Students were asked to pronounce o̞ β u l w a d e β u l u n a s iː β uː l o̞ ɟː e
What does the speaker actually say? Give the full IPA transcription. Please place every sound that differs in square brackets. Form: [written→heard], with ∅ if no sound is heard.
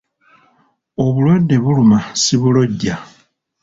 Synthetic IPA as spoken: o̞ β u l w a d e β u l u [n→m] a s [iː→i] β [uː→u] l o̞ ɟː [e→a]

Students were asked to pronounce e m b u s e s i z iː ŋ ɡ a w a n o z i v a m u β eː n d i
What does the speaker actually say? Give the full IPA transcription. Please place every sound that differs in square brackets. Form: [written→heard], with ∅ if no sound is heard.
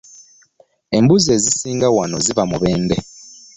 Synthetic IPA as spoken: e m b u [s→z] e [s→z] i [z→s] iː ŋ ɡ a w a n o z i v a m u β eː n d [i→e]

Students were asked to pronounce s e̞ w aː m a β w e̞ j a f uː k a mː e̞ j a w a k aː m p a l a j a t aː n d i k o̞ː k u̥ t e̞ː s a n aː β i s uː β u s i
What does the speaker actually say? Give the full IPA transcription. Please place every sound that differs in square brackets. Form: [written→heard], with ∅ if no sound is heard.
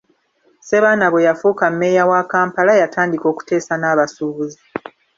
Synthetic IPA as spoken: s e̞ [w→β] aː [m→n] a β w e̞ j a f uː k a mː e̞ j a w a k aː m p a l a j a t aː n d i k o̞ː k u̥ t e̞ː s a n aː β [i→a] s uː β u [s→z] i

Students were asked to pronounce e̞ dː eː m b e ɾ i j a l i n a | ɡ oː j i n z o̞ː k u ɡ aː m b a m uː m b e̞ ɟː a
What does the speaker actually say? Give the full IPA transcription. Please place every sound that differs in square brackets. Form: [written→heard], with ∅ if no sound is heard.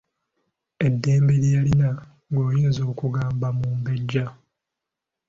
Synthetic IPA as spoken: e̞ dː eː m b e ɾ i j a l i n a | ɡ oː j [i→iː] n z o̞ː k u ɡ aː m b a m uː m b e̞ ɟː a

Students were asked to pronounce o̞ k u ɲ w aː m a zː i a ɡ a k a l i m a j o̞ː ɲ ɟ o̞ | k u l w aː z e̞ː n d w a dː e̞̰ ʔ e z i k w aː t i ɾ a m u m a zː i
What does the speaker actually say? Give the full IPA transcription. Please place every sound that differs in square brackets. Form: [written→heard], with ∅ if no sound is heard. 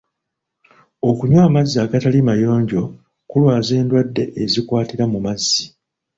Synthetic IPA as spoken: o̞ k u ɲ w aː m a zː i a ɡ a [k→t] a l i m a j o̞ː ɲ ɟ o̞ | k u l w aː z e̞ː n d w a dː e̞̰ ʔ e z i k w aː t i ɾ a m u m a zː i

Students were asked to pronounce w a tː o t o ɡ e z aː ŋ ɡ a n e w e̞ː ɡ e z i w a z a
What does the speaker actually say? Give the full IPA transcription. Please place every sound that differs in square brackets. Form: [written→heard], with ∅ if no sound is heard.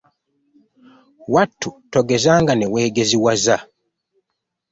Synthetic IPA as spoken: w a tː [o→u] t o ɡ e z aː ŋ ɡ a n e w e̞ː ɡ e z i w a z a

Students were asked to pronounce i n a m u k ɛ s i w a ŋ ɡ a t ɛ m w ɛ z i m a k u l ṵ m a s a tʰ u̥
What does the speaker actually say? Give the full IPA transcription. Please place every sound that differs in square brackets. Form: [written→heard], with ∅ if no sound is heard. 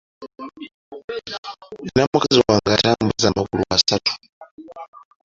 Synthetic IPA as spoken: i n a m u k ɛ [s→z] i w a ŋ ɡ a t [ɛ→a] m [w→b] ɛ z [i→a] m a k u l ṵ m a s a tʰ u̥

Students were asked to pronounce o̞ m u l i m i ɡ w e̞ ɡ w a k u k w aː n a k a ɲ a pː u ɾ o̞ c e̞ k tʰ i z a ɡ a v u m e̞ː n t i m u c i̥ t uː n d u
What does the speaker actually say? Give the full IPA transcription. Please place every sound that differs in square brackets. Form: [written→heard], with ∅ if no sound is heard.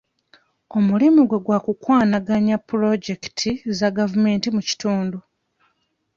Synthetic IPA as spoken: o̞ m u l i m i ɡ w e̞ ɡ w a k u k w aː n a [k→ɡ] a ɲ a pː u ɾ o̞ [c→ɟ] e̞ k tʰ i z a ɡ a v u m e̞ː n t i m u c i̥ t uː n d u

